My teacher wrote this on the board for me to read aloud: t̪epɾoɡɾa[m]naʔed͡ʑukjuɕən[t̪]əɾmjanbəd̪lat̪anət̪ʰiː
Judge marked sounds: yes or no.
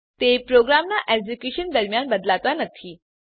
yes, no

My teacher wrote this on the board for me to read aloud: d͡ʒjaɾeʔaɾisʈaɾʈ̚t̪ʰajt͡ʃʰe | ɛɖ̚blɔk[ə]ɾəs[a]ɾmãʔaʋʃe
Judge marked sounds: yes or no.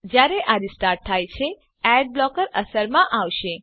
yes, no

